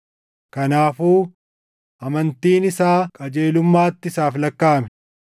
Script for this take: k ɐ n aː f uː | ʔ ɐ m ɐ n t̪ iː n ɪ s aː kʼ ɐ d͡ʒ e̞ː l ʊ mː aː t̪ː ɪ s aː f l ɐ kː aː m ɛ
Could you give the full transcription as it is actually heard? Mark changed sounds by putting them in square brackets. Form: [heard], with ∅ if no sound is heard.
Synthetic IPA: k ɐ n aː f uː | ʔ ɐ m ɐ n t̪ iː n ɪ s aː kʼ ɐ d͡ʒ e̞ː l ʊ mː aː t̪ː ɪ s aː f l ɐ kː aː m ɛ